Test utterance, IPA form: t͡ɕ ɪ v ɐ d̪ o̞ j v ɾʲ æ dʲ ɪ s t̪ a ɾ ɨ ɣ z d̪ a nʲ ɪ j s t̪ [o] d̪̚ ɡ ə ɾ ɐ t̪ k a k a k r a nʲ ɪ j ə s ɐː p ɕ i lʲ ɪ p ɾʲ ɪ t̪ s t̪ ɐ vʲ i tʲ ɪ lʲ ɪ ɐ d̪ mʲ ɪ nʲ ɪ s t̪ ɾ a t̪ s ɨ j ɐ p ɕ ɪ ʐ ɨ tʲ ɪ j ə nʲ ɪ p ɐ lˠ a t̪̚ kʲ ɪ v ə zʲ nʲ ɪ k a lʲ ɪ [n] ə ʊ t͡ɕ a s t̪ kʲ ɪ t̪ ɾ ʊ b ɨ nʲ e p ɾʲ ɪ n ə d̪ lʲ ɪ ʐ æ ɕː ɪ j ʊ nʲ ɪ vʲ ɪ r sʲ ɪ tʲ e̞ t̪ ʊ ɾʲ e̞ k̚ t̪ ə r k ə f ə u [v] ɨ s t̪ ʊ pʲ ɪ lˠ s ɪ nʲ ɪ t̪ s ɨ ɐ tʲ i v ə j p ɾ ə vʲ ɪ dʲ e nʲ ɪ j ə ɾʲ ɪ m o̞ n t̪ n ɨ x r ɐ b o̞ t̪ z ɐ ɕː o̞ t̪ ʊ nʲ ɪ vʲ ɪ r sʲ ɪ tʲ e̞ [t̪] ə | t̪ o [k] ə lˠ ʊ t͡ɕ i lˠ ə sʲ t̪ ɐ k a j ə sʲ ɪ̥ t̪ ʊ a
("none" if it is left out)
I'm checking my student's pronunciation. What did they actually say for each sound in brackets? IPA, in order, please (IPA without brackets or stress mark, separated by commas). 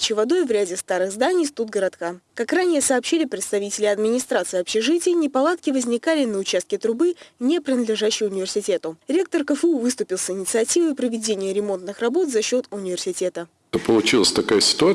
u, n, v, t̪, p